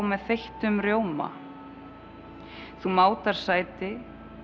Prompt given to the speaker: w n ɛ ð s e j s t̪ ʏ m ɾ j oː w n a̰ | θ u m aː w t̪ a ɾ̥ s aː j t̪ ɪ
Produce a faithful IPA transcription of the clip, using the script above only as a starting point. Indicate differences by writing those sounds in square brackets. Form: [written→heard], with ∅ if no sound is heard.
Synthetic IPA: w [n→m] ɛ ð [s→θ] e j [s→h] t̪ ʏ m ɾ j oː w [n→m] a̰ | θ u m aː w t̪ a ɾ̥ s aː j t̪ ɪ